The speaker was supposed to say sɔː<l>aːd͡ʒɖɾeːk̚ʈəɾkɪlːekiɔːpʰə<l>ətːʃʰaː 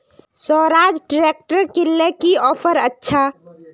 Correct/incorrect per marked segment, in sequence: incorrect: ɾ, incorrect: ɾ

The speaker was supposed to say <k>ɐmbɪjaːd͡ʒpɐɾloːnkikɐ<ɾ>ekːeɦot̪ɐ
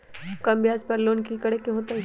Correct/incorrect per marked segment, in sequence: correct, incorrect: ɽ

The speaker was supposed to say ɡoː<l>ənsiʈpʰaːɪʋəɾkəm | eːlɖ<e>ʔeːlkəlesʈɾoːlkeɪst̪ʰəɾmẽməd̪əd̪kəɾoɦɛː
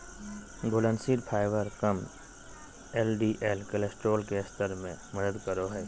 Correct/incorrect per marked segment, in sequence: correct, incorrect: i

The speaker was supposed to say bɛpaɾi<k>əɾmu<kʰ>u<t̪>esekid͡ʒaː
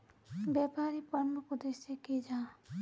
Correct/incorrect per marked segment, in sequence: incorrect: p, incorrect: k, incorrect: d̪

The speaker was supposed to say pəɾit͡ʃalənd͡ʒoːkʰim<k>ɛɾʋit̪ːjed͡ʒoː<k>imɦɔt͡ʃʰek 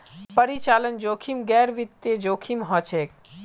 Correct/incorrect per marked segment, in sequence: incorrect: ɡ, incorrect: kʰ

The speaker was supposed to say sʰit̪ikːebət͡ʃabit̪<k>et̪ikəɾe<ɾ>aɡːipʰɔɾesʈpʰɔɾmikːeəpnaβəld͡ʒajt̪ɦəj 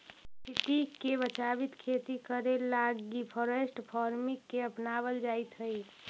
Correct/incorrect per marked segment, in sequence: incorrect: kʰ, incorrect: l

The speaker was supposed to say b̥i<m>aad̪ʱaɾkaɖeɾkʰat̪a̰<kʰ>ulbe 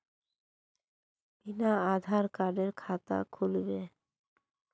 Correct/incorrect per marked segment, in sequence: incorrect: n, correct

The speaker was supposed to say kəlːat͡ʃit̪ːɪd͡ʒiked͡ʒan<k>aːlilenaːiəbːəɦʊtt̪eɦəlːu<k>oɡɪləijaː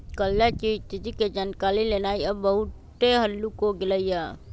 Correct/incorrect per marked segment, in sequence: correct, correct

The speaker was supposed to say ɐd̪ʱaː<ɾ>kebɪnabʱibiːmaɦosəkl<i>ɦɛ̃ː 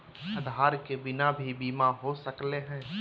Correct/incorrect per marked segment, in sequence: correct, incorrect: e

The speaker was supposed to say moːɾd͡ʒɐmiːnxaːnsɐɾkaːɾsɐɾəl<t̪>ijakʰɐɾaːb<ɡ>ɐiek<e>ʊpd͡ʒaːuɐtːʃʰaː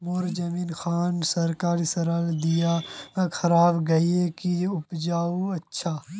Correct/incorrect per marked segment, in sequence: incorrect: d̪, correct, incorrect: i

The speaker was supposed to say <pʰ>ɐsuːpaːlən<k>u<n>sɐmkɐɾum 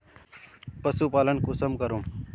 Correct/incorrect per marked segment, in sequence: incorrect: p, correct, incorrect: none

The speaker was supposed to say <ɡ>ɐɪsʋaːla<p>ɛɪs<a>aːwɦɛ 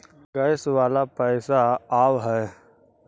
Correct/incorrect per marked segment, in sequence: correct, correct, correct

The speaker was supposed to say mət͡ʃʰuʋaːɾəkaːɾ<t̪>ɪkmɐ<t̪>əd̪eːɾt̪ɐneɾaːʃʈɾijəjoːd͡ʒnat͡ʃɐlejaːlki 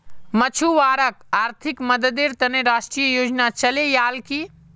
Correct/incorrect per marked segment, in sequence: incorrect: t̪ʰ, incorrect: d̪

